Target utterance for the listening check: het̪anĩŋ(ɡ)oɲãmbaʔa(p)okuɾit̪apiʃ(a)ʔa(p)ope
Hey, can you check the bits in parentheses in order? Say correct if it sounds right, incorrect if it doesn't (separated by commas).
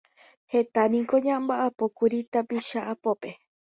incorrect, correct, correct, correct